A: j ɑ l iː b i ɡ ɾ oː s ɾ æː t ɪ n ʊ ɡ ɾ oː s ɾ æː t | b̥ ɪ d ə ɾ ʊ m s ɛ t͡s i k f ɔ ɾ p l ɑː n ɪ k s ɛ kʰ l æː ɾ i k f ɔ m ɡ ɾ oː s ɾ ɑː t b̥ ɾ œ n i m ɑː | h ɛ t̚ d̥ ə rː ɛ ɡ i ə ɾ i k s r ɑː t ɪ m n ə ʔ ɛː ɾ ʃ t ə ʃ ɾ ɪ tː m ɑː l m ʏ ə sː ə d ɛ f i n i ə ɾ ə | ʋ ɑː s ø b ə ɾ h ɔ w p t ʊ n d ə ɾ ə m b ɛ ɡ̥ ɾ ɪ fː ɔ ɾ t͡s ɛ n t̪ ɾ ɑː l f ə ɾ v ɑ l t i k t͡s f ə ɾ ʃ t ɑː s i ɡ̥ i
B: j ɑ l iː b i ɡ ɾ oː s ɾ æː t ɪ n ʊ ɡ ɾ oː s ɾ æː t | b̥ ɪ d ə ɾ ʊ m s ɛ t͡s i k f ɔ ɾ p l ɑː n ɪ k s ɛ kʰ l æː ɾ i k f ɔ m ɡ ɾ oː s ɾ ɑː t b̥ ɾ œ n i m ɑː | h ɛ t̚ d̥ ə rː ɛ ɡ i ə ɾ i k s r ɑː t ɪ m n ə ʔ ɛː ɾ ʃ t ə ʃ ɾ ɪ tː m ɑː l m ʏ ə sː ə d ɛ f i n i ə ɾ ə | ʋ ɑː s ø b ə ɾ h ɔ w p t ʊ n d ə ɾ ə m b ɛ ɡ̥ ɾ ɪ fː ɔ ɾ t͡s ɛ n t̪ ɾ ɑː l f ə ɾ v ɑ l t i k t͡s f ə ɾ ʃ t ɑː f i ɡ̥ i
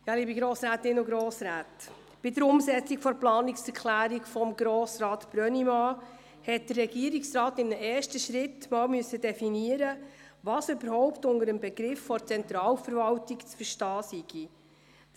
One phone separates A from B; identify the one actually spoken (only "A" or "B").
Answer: A